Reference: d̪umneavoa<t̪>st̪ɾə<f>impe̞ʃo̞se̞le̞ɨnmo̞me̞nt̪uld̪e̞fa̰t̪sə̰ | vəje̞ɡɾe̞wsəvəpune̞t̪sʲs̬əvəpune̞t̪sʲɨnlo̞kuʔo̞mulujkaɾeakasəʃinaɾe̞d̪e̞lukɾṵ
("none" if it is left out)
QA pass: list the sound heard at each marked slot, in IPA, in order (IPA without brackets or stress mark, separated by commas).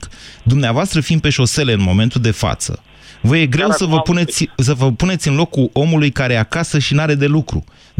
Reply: none, f